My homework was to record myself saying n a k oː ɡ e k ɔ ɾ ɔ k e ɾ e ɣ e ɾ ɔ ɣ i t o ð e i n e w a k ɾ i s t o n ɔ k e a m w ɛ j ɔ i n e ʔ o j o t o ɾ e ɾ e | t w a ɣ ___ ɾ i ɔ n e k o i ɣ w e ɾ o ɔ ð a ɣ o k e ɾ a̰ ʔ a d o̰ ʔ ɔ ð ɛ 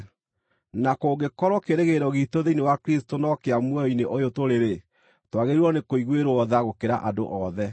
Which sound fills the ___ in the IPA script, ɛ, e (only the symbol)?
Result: e